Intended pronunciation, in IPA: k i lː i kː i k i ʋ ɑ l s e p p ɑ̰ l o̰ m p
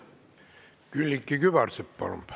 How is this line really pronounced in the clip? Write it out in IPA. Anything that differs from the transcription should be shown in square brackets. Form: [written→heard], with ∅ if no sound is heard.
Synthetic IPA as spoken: k [i→y] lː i kː i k [i→y] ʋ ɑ [l→r] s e p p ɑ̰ l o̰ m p